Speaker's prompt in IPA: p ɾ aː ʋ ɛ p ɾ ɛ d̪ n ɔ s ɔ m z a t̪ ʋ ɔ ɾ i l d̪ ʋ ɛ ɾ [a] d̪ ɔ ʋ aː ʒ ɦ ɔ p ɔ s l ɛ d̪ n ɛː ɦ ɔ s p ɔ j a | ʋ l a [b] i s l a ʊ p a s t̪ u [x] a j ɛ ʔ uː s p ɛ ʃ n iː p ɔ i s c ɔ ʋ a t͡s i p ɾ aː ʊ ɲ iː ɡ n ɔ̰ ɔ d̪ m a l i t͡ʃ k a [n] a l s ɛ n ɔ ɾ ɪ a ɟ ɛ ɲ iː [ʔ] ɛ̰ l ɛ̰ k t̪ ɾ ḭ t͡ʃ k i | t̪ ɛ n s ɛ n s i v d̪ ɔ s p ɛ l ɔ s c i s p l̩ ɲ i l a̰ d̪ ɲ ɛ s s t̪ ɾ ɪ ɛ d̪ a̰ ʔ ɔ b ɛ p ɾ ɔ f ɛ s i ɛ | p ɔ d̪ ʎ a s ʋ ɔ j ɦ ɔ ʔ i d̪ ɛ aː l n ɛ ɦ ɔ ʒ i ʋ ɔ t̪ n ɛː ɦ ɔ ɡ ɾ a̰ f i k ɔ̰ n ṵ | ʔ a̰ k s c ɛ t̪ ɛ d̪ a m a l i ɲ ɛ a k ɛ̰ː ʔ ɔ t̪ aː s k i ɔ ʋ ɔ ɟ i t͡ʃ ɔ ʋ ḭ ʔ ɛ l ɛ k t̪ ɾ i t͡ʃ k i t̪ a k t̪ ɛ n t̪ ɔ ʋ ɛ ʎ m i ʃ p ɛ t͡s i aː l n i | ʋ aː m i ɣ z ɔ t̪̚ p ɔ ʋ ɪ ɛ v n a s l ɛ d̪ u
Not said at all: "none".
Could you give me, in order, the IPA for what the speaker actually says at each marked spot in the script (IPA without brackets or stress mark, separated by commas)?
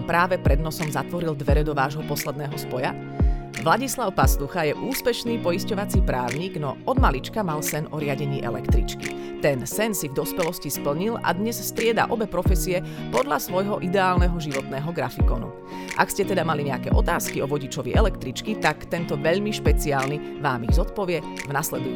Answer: ɛ, ɟ, x, m, ʔ